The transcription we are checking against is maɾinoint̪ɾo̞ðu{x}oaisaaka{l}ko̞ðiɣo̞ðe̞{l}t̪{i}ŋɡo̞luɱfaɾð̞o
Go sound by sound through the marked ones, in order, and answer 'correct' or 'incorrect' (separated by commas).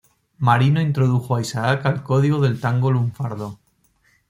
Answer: correct, correct, correct, incorrect